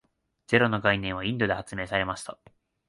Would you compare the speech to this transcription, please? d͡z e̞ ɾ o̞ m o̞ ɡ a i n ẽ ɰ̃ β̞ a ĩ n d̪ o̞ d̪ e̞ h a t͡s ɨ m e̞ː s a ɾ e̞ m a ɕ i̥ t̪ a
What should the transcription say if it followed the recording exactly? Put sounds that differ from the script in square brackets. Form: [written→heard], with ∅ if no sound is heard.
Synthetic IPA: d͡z e̞ ɾ o̞ [m→n] o̞ ɡ a i n ẽ ɰ̃ β̞ a ĩ n d̪ o̞ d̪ e̞ h a t͡s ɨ m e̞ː s a ɾ e̞ m a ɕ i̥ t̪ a